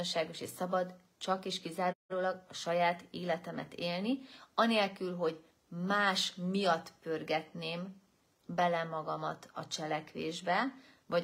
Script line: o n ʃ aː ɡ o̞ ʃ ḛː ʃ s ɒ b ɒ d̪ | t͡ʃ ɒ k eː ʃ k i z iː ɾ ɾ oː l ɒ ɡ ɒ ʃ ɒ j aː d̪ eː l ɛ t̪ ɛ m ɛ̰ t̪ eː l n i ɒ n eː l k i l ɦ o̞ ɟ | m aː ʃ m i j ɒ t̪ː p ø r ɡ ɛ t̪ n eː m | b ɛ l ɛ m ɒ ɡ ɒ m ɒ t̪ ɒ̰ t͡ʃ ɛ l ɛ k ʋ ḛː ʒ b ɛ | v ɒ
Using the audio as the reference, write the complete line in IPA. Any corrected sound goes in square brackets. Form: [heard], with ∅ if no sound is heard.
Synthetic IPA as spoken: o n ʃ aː ɡ o̞ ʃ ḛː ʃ s ɒ b ɒ d̪ | t͡ʃ ɒ k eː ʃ k i z [aː] ɾ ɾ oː l ɒ ɡ ɒ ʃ ɒ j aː [t̪] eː l ɛ t̪ ɛ m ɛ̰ t̪ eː l n i ɒ n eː l k [y] l ɦ o̞ ɟ | m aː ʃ m i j ɒ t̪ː p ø r ɡ ɛ t̪ n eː m | b ɛ l ɛ m ɒ ɡ ɒ m ɒ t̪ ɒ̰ t͡ʃ ɛ l ɛ k ʋ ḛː ʒ b ɛ | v ɒ